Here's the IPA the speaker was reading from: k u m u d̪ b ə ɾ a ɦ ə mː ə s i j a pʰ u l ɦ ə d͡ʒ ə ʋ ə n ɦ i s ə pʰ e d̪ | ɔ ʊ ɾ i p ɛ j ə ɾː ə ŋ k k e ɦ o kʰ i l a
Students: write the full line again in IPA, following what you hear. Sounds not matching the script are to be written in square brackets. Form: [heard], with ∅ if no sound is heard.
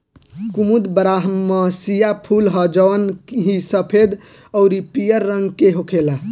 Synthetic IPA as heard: k u m u d̪ b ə ɾ a ɦ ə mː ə s i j a pʰ u l ɦ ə d͡ʒ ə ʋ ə n ɦ i s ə pʰ e d̪ | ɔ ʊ ɾ i p [i] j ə ɾː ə ŋ [ɡ] k e ɦ o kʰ [e] l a